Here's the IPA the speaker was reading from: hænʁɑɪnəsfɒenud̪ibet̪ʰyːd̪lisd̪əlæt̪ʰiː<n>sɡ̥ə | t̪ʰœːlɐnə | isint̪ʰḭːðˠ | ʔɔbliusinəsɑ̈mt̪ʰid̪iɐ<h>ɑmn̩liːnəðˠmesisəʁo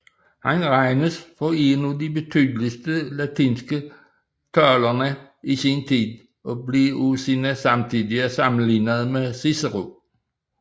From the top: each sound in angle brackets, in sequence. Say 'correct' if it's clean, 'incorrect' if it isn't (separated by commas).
correct, incorrect